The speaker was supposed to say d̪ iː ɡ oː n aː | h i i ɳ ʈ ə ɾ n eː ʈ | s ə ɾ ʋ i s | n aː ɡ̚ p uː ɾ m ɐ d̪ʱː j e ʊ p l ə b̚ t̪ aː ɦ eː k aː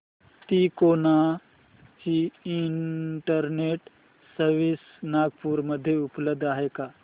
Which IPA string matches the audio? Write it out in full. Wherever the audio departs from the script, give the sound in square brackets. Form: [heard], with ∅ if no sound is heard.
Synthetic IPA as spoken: [t̪] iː [k] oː n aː | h i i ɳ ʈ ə ɾ n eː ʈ | s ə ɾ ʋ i s | n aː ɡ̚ p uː ɾ m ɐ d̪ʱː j e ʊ p l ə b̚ [d̪] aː ɦ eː k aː